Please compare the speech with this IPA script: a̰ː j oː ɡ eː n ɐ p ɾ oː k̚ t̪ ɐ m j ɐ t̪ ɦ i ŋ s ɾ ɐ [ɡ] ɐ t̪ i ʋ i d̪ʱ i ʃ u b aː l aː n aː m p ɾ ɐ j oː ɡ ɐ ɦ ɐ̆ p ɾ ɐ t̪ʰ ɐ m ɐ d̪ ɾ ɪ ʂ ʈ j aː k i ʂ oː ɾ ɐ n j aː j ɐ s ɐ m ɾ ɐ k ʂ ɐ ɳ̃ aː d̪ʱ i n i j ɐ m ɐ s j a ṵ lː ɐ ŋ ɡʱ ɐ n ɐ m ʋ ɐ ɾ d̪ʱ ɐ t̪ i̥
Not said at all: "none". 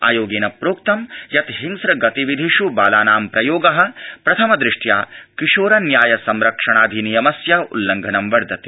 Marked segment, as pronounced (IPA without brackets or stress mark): ɡ